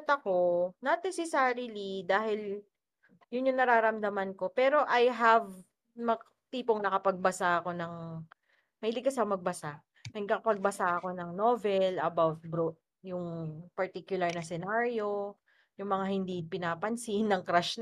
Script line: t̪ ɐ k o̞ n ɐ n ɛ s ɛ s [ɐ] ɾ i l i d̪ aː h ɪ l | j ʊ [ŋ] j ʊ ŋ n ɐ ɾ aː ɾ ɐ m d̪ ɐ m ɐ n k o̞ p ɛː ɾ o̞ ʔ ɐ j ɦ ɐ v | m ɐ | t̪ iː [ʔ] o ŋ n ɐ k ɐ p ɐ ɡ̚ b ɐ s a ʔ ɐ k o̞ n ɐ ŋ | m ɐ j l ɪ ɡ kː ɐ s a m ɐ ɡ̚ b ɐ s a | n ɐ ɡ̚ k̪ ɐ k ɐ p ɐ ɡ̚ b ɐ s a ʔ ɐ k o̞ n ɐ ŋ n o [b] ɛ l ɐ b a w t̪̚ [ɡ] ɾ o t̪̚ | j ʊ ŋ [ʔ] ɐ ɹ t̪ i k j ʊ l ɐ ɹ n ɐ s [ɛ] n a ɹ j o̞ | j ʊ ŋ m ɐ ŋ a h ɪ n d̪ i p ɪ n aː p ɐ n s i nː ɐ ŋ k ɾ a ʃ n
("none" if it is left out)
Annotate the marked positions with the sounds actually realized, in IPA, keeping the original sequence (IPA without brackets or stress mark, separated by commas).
a, n, p, v, b, p, ɛ